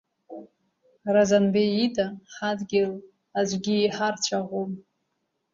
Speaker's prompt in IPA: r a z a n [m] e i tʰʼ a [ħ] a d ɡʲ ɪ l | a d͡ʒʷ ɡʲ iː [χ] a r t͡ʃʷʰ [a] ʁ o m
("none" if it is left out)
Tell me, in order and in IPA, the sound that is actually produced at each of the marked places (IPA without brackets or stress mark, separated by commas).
b, ħ, ħ, a